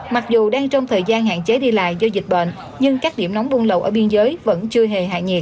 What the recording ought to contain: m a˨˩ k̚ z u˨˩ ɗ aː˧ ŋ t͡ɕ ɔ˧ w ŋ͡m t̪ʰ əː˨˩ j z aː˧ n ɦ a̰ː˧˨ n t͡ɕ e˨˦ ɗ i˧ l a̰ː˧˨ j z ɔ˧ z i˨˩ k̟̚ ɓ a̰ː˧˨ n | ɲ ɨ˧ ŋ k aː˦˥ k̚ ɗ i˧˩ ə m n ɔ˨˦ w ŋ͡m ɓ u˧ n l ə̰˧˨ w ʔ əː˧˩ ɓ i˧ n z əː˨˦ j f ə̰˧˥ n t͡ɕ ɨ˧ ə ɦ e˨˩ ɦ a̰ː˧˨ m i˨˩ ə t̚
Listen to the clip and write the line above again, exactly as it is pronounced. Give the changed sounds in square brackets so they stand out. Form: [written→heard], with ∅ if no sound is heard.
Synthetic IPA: m a˨˩ k̚ z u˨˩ ɗ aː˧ ŋ t͡ɕ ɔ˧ w ŋ͡m t̪ʰ əː˨˩ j z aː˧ n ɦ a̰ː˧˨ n t͡ɕ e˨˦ ɗ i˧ l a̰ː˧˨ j z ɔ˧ z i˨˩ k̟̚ ɓ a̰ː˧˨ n | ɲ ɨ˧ ŋ k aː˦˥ k̚ ɗ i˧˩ ə m n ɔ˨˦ w ŋ͡m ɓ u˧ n l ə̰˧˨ w ʔ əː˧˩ ɓ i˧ n z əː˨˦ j [f→v] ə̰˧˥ n t͡ɕ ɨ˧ ə ɦ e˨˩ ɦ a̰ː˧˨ [m→ɲ] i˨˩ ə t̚